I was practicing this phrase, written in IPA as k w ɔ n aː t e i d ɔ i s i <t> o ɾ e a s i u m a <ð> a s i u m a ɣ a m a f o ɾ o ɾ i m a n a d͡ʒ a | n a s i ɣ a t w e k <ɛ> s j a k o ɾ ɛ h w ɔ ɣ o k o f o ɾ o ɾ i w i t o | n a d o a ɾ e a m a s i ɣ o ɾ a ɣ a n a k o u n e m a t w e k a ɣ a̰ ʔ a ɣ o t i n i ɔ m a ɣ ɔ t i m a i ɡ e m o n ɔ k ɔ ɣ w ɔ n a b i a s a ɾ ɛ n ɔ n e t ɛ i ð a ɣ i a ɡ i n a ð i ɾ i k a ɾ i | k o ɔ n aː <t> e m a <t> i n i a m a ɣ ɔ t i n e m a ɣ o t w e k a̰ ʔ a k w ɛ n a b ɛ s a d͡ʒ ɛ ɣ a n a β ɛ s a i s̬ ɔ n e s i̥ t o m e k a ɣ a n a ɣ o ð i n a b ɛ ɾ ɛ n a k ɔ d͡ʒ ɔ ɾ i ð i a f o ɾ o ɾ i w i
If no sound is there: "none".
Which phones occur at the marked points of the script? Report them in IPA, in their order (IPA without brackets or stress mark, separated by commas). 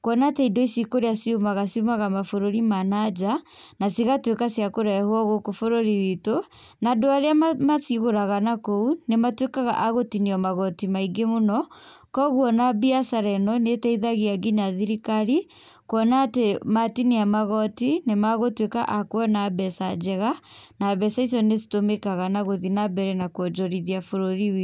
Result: k, ɣ, a, t, t